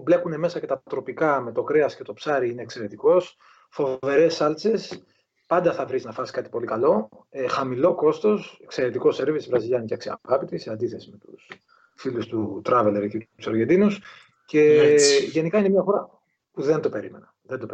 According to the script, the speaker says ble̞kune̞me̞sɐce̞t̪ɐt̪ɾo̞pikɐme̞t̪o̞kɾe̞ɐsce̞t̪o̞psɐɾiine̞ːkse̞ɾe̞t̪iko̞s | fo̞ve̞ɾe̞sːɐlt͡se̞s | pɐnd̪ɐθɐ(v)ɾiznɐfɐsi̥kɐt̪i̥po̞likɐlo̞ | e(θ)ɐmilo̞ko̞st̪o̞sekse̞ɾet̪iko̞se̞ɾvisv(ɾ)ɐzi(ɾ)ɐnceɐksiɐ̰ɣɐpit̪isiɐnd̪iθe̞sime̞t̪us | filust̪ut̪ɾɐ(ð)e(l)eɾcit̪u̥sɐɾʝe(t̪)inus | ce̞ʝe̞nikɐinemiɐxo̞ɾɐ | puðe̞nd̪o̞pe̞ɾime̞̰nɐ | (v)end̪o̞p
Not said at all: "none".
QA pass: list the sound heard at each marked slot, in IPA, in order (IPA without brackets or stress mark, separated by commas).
v, x, ɾ, ʎ, v, l, d̪, ð